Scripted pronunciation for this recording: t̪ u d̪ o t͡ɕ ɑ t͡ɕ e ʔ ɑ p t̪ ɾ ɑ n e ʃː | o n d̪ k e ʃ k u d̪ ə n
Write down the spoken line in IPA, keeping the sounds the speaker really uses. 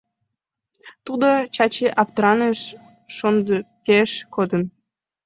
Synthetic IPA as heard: t̪ u d̪ o t͡ɕ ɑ t͡ɕ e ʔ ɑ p t̪ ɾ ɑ n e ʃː | o n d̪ k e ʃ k o d̪ ə n